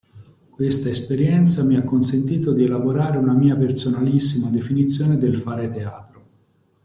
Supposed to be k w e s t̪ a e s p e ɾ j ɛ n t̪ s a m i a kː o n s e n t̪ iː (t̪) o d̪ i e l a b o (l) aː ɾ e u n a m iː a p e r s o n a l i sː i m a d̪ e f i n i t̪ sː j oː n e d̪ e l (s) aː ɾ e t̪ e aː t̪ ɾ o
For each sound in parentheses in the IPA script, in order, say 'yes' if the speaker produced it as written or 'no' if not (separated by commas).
yes, no, no